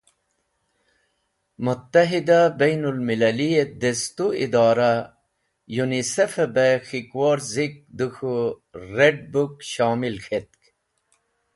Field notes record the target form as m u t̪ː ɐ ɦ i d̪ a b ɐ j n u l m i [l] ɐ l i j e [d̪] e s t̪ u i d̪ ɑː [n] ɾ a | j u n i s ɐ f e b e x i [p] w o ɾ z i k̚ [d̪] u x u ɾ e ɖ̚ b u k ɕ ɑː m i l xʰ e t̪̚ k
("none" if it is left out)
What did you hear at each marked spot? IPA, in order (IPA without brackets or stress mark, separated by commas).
l, d̪, none, k, d̪